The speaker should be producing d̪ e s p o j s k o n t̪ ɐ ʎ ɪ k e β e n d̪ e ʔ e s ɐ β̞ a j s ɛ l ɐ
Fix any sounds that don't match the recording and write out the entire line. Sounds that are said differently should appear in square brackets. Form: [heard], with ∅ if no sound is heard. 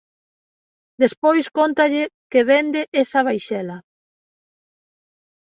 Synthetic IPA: d̪ e s p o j s k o n t̪ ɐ ʎ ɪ k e β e n d̪ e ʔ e s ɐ β̞ a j [ʃ] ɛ l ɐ